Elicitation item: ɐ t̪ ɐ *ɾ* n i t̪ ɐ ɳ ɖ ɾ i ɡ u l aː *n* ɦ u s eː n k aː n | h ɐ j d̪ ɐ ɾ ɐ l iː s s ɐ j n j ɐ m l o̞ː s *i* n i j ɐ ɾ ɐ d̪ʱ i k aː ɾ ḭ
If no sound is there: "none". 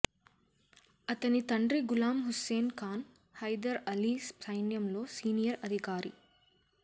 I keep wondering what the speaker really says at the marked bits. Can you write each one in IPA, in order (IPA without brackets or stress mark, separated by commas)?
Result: none, m, iː